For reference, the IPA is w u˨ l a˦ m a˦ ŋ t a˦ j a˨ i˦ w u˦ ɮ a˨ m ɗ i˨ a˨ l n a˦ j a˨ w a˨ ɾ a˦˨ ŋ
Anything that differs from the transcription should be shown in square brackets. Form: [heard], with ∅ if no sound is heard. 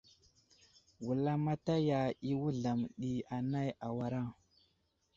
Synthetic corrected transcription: w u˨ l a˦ m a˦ [∅] t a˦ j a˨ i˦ w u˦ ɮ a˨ m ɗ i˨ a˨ [∅] n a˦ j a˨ w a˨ ɾ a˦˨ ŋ